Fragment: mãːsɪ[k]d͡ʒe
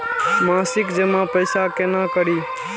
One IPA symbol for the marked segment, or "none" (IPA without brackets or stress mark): k